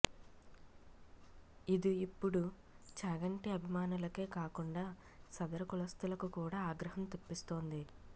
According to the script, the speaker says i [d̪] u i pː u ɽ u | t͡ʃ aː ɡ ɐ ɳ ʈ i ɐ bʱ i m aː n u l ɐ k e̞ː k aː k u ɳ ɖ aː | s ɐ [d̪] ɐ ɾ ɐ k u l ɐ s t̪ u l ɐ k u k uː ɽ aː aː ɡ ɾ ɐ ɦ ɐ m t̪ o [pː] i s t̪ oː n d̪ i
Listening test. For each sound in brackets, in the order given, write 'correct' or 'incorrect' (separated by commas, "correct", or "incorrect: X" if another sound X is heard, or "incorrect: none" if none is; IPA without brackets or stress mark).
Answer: correct, correct, correct